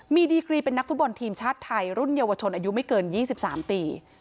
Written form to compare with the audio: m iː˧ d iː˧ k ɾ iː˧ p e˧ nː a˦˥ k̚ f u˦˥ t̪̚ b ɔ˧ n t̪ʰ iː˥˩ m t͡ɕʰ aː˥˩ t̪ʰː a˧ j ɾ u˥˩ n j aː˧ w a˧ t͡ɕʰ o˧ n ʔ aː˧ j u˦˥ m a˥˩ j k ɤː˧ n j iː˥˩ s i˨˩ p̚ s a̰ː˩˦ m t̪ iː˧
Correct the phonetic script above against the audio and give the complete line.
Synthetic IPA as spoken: m iː˧ d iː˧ k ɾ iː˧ p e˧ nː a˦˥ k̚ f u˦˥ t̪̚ b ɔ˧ n t̪ʰ iː˧ m t͡ɕʰ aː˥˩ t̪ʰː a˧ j ɾ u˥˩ n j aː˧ w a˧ t͡ɕʰ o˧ n ʔ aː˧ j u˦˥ m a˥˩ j k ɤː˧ n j iː˥˩ s i˨˩ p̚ s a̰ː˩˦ m t̪ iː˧